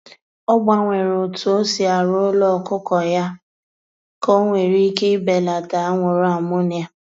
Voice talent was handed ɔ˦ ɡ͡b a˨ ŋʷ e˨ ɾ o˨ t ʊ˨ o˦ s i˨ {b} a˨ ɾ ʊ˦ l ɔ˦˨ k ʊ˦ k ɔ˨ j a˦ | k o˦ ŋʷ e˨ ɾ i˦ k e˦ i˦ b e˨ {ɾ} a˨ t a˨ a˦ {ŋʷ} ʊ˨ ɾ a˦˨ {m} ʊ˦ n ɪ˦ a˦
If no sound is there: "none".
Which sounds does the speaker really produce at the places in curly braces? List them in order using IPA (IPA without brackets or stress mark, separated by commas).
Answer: none, l, ŋʷ, m